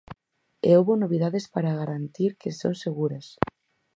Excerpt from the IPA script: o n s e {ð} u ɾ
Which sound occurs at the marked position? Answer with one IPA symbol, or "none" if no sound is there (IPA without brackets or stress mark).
ɣ